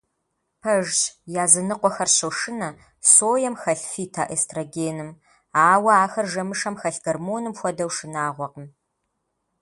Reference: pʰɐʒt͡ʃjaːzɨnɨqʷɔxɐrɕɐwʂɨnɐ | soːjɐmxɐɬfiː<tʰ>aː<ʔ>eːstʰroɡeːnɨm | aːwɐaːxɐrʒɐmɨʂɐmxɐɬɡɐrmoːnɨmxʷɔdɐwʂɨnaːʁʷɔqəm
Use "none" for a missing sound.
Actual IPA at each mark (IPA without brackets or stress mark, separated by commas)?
tʰ, ʔ